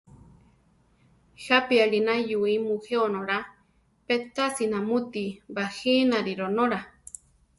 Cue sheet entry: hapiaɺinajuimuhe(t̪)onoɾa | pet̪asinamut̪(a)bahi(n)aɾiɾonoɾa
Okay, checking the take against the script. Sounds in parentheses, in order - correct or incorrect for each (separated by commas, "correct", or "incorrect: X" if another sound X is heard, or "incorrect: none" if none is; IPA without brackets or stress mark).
incorrect: none, incorrect: i, correct